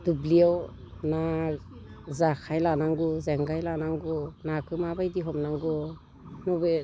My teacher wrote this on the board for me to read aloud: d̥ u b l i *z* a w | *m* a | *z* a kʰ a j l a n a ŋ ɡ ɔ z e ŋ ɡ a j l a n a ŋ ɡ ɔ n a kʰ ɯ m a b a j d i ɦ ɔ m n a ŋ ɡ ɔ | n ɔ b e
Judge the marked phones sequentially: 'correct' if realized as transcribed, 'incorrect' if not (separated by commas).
incorrect, incorrect, correct